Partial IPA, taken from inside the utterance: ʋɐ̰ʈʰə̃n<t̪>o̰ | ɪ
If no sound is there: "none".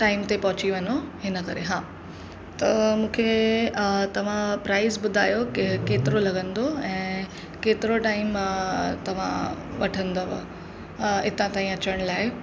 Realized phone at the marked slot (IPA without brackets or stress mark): d̪